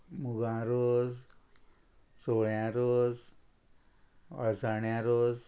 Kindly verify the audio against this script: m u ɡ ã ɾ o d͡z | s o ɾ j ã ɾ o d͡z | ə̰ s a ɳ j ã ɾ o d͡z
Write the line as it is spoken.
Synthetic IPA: m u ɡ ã ɾ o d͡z | s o ɭ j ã ɾ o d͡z | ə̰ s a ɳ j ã ɾ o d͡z